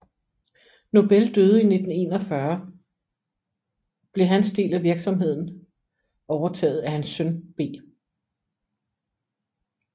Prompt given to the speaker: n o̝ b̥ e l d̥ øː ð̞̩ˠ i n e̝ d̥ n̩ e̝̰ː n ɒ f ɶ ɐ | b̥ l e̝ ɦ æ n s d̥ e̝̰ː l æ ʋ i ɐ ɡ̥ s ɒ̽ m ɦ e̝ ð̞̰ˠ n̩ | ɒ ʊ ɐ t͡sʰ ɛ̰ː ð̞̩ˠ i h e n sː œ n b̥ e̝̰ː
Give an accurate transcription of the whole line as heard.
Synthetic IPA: n o̝ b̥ e l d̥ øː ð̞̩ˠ i n e̝ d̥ n̩ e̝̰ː n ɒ f ɶ ɐ | b̥ l e̝ ɦ æ n s d̥ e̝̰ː l æ ʋ i ɐ ɡ̥ s ɒ̽ m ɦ e̝ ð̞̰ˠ n̩ | ɒ ʊ ɐ t͡sʰ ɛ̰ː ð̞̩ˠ æ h æ n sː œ n b̥ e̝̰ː